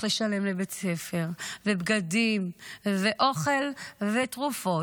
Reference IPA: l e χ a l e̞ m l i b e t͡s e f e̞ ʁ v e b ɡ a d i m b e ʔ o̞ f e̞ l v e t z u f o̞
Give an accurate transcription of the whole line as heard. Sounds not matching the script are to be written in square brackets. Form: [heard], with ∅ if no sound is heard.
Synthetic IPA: l e [ʃ] a l e̞ m l [e] b e t͡s e f e̞ ʁ v e b ɡ a d i m [v] e ʔ o̞ [χ] e̞ l v e t [ʁ] u f o̞